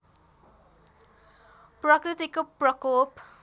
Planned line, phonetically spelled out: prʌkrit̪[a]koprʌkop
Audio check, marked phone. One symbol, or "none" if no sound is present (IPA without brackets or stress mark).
i